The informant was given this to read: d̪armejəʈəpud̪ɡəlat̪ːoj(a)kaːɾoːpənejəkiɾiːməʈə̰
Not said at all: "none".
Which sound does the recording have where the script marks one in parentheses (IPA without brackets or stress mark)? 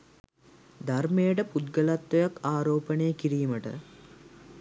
a